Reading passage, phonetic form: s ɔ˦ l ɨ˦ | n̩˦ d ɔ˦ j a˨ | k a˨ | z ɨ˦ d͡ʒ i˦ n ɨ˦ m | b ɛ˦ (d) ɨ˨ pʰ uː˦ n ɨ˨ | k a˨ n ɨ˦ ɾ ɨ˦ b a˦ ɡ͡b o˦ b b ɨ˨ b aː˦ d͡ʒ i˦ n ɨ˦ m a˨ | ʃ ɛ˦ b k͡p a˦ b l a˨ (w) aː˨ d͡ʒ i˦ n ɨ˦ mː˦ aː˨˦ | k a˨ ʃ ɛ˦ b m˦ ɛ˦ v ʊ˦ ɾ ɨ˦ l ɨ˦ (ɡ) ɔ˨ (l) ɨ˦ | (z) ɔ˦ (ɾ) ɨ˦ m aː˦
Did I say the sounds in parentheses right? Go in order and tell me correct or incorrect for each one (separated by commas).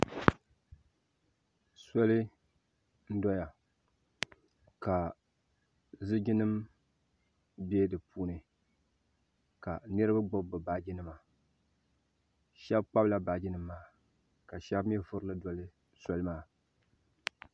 correct, incorrect, incorrect, correct, incorrect, incorrect